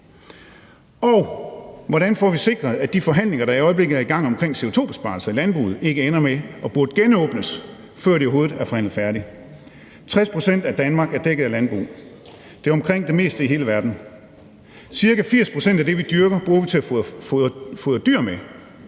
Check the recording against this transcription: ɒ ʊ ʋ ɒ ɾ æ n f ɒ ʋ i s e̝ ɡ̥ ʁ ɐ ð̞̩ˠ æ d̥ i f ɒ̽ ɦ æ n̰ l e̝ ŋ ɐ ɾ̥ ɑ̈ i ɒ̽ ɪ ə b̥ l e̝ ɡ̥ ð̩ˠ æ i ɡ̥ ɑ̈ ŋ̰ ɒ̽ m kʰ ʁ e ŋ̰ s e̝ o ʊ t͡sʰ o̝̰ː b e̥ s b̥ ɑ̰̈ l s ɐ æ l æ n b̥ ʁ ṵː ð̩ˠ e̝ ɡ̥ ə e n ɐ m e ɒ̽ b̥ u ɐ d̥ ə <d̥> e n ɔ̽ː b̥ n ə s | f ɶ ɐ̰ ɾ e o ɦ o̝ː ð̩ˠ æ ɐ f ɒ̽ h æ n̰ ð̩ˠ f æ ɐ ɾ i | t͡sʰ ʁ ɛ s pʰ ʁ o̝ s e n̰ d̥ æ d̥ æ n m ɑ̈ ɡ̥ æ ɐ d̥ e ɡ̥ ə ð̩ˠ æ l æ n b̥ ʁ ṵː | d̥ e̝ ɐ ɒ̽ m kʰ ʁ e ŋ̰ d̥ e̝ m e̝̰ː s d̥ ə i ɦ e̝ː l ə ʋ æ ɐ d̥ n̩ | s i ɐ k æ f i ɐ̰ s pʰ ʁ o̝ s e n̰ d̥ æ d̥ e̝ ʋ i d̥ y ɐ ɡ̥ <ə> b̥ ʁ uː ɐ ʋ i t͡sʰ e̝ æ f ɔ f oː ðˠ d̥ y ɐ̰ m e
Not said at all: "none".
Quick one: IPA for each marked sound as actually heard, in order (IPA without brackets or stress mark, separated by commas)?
ɡ̥, ɐ